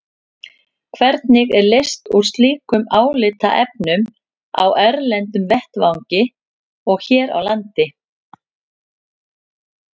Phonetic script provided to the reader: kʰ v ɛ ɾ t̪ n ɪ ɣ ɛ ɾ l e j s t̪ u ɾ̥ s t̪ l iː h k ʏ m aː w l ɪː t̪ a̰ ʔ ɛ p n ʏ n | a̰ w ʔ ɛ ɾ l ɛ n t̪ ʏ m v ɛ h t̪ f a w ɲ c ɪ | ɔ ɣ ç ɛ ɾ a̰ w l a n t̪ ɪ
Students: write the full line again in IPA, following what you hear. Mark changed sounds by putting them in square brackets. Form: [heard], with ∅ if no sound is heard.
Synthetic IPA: kʰ v ɛ ɾ t̪ n ɪ ɣ ɛ ɾ l e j s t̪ u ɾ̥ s t̪ l iː [∅] k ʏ m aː w l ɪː t̪ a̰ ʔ ɛ p n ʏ [m] | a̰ w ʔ ɛ ɾ l ɛ n t̪ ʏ m v ɛ h t̪ [v] a w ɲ c ɪ | ɔ ɣ ç [ɛː] ɾ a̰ w l a n t̪ ɪ